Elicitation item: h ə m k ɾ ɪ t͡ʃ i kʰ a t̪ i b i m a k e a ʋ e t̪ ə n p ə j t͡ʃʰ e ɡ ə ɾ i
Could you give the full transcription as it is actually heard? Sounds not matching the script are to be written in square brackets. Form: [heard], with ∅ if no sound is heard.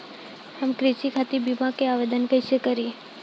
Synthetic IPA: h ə m k ɾ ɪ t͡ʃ i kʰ a t̪ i b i m a k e a ʋ e [d̪] ə n [k] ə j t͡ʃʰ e [k] ə ɾ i